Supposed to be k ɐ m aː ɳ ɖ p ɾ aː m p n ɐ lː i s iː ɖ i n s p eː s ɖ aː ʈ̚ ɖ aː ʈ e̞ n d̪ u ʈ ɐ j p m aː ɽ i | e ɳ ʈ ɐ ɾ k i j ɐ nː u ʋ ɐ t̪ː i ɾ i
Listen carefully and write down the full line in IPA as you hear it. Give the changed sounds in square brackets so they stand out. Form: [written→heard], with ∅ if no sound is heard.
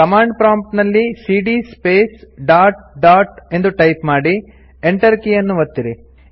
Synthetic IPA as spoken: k ɐ m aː ɳ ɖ p ɾ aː m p n ɐ lː i s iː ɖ i [n→∅] s p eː s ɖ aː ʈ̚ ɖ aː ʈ e̞ n d̪ u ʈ ɐ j p m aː ɽ i | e ɳ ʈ ɐ ɾ k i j ɐ nː u ʋ ɐ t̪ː i ɾ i